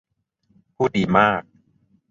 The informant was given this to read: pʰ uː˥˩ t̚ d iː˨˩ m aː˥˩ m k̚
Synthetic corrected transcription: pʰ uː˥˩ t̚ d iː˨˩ m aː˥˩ k̚